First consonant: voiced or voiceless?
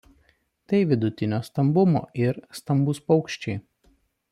voiceless